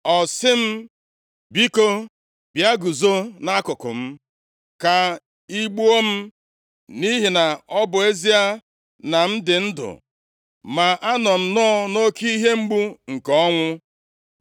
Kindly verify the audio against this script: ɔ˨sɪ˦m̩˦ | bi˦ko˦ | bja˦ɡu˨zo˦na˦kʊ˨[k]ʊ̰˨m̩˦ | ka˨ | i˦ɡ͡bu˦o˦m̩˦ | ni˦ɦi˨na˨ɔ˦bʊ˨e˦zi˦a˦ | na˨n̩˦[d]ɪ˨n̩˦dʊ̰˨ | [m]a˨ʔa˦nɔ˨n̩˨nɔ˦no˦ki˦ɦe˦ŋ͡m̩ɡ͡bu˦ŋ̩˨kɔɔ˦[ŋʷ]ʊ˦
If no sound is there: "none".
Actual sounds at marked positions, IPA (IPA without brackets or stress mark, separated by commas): k, d, m, ŋʷ